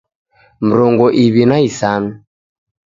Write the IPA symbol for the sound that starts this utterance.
m̩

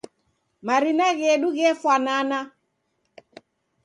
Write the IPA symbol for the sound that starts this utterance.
m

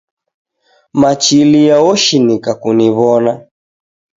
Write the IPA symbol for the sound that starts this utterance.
m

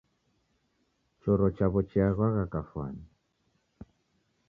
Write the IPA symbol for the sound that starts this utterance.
t͡ʃ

